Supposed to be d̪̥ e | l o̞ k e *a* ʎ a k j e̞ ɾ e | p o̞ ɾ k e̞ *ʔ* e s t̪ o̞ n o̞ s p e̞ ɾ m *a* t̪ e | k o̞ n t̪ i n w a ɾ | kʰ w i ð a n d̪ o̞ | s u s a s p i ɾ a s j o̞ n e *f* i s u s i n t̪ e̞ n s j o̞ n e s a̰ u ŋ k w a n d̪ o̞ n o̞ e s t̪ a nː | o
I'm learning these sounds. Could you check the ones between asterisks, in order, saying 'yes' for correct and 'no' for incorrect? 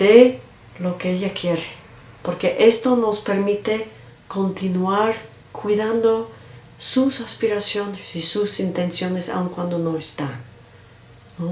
no, yes, no, no

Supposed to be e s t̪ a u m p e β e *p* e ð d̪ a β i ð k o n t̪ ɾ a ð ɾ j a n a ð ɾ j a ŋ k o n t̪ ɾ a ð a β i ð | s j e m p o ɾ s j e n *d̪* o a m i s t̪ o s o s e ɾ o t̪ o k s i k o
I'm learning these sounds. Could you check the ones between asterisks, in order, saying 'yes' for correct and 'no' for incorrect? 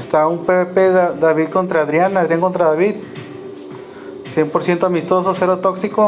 yes, no

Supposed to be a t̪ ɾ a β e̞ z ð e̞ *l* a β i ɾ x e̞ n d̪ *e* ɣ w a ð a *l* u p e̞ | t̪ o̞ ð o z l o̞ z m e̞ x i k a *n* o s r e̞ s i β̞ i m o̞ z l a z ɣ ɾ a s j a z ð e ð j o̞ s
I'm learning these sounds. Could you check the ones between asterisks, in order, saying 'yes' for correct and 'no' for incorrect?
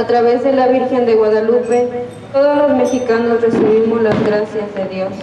yes, yes, yes, yes

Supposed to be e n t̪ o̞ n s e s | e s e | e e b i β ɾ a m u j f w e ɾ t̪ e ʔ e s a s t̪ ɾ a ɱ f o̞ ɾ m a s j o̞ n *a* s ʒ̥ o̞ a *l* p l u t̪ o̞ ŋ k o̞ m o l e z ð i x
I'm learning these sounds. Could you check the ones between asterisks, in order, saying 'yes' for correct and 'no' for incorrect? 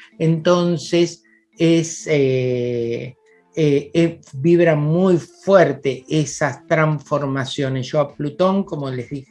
no, no

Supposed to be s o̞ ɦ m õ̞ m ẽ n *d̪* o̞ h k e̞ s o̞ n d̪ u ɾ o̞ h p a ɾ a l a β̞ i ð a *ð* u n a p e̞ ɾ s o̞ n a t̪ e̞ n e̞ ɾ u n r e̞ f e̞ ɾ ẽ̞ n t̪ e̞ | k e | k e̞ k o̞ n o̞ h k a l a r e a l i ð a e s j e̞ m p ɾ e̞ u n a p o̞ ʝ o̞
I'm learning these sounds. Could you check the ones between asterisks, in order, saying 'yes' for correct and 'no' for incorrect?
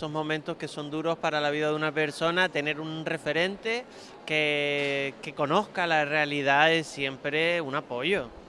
no, yes

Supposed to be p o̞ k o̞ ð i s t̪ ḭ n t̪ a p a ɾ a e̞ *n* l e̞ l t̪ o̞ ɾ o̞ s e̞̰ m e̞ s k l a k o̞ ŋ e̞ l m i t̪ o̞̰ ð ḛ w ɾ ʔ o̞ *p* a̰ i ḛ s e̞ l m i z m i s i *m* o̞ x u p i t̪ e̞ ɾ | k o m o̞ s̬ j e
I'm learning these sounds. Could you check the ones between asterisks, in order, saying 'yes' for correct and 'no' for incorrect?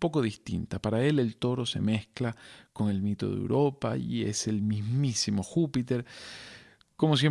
no, yes, yes

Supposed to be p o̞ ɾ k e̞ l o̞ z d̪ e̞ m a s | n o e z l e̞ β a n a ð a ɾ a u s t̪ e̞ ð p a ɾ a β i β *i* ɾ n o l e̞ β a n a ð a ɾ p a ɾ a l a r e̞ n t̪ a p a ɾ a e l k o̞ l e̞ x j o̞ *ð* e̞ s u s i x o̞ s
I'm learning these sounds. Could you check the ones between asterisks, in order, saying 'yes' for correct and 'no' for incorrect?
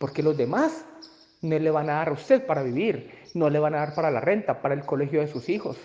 yes, yes

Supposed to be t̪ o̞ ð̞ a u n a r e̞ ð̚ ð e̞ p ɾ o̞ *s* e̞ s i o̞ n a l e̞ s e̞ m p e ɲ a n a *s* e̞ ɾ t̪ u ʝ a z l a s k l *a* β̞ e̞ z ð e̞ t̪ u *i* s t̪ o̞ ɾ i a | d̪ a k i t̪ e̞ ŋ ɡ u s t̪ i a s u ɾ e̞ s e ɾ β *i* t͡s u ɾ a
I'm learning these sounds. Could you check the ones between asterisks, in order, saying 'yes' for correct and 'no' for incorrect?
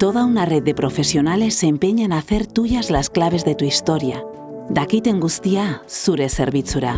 no, no, yes, yes, yes

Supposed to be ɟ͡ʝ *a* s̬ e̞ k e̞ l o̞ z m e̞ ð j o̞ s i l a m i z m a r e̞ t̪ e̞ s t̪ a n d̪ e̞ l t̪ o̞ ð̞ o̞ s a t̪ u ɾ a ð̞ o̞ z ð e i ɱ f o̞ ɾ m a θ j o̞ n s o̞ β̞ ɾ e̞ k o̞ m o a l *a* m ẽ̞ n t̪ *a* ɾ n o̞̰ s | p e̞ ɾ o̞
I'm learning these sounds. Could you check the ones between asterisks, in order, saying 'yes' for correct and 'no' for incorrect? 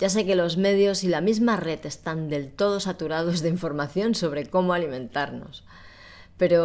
yes, no, yes

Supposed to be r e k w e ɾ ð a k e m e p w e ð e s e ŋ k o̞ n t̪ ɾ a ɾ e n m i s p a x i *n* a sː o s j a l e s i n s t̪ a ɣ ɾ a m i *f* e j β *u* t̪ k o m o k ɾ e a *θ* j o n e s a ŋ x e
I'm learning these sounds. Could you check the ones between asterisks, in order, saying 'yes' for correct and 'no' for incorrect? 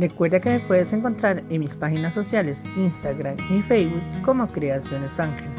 yes, yes, yes, no

